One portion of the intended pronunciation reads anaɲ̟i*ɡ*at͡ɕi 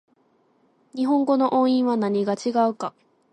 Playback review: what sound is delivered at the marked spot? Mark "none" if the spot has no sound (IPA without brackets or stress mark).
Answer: ɡ